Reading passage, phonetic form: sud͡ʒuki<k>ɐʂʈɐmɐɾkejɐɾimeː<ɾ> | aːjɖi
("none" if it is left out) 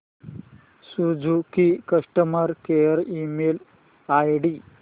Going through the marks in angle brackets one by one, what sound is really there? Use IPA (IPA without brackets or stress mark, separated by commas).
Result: k, l